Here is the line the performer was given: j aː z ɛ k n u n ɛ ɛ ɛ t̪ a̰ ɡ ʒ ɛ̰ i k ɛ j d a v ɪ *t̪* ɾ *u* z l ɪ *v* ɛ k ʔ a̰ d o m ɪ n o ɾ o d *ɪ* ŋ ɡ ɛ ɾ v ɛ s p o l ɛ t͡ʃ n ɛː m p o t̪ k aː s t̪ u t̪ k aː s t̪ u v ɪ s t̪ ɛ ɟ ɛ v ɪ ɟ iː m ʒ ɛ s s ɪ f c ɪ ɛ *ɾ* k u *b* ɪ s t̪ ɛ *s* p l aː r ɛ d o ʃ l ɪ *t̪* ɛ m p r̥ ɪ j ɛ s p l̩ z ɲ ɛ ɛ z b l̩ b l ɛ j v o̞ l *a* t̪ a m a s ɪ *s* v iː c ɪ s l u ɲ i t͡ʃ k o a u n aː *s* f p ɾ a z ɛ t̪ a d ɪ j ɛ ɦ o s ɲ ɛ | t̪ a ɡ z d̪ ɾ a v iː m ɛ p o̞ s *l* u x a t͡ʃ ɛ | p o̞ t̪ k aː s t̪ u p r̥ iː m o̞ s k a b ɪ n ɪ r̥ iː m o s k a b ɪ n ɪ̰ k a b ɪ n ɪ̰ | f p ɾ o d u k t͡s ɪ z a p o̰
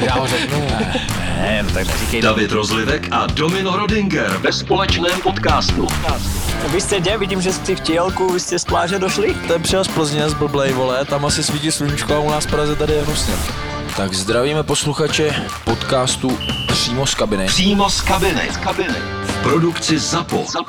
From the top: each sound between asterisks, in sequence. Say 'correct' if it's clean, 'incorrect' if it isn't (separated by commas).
correct, incorrect, correct, correct, incorrect, incorrect, correct, correct, incorrect, correct, correct, correct